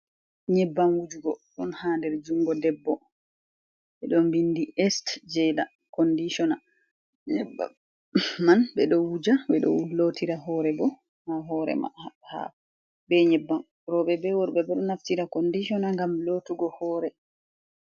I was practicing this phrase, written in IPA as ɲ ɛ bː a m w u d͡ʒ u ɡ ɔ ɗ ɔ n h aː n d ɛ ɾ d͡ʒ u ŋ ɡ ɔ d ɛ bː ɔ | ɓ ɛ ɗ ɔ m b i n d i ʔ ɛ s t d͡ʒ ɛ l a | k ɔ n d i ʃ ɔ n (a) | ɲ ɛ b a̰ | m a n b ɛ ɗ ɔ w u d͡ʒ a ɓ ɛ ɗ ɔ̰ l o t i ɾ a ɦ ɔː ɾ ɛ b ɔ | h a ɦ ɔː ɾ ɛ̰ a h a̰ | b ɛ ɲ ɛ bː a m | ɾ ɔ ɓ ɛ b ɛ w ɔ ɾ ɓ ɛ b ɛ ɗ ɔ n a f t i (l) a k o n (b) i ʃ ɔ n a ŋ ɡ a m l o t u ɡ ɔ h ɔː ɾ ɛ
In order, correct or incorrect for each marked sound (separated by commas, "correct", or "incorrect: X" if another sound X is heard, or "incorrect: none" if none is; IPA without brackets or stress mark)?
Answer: correct, incorrect: ɾ, incorrect: d